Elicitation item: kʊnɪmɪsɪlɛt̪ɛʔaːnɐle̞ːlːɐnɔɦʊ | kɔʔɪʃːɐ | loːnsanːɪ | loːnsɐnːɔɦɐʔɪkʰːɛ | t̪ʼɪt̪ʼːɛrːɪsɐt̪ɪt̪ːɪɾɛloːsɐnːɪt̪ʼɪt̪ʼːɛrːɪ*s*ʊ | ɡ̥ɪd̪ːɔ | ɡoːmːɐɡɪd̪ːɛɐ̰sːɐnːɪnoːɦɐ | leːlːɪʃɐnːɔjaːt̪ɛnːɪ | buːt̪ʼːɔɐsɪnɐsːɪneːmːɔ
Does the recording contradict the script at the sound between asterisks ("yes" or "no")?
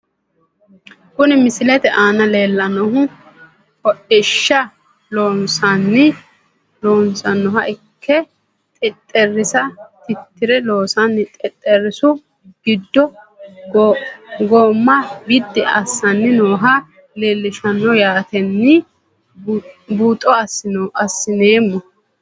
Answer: no